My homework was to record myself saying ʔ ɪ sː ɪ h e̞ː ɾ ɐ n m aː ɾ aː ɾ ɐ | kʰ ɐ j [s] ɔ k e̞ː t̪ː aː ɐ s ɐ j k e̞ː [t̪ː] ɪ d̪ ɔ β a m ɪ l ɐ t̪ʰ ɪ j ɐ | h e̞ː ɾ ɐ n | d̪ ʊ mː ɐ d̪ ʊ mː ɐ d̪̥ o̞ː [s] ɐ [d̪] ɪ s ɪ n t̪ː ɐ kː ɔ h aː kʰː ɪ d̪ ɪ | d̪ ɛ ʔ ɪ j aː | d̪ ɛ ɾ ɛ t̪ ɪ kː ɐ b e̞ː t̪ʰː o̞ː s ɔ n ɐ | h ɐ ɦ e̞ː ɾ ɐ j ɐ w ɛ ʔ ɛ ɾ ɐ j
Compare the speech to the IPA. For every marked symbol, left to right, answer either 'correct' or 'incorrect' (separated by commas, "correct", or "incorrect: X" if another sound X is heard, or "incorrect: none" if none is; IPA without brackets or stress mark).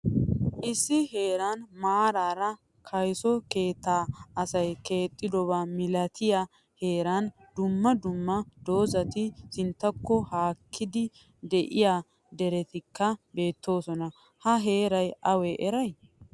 correct, incorrect: t̪ʼː, incorrect: z, incorrect: t̪